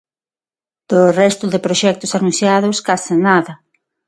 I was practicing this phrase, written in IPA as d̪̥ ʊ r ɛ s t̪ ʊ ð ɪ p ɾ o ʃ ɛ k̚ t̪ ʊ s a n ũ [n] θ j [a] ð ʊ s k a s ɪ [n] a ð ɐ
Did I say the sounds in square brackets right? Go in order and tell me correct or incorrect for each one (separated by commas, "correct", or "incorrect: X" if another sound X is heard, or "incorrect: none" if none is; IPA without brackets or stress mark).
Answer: correct, correct, correct